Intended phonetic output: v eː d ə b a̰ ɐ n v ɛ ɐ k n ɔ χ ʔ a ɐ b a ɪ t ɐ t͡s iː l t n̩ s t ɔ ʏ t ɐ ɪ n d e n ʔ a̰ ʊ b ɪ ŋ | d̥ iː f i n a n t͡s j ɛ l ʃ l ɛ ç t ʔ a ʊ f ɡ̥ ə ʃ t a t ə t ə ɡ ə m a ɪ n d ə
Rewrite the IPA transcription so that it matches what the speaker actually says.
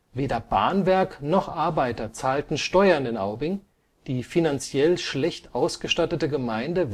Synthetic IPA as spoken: v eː d ɐ b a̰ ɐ n v ɛ ɐ k n ɔ χ ʔ a ɐ b a ɪ t ɐ t͡s aː l t n̩ ʃ t ɔ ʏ ɐ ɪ n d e n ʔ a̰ ʊ b ɪ ŋ | d̥ iː f i n a n t͡s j ɛ l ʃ l ɛ ç t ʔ a ʊ s ɡ̥ ə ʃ t a t ə t ə ɡ ə m a ɪ n d ə